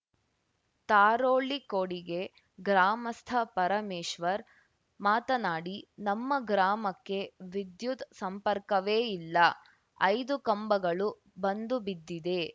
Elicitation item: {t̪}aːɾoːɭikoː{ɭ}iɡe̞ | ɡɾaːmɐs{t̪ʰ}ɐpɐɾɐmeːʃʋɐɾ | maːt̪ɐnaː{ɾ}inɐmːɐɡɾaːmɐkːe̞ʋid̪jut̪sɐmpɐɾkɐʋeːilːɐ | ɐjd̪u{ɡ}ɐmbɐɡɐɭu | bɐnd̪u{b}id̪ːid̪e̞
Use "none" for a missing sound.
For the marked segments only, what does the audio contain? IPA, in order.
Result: t̪, ɽ, t̪ʰ, ɽ, k, b

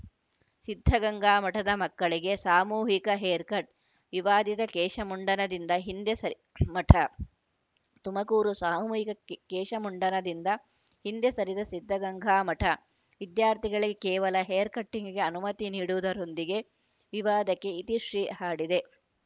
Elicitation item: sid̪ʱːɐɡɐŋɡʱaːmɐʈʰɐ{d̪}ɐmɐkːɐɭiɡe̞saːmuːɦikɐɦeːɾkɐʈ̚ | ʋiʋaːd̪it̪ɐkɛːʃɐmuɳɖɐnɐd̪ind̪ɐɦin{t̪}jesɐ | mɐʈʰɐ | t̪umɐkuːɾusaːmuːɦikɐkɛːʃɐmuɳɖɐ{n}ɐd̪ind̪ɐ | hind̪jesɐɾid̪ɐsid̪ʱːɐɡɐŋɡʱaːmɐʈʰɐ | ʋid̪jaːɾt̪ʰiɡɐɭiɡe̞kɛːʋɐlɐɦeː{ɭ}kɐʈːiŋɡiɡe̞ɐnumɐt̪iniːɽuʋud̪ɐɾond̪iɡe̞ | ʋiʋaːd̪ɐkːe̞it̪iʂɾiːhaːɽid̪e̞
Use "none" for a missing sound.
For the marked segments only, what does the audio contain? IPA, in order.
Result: d̪, d̪, n, ɾ

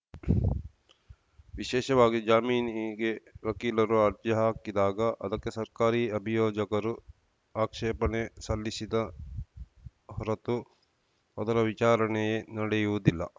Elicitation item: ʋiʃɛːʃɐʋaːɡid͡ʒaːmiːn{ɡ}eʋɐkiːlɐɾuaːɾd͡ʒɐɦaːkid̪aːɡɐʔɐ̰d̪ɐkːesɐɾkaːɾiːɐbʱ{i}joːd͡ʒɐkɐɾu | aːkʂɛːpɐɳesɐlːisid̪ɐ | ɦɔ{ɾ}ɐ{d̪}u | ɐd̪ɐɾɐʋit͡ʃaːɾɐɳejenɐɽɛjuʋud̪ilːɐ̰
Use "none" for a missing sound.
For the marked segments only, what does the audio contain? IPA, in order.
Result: ɡ, i, ɾ, t̪

